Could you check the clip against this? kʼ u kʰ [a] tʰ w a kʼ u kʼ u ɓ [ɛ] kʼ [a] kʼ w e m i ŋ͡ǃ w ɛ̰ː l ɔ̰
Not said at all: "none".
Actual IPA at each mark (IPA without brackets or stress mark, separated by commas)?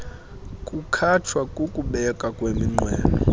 a, ɛ, a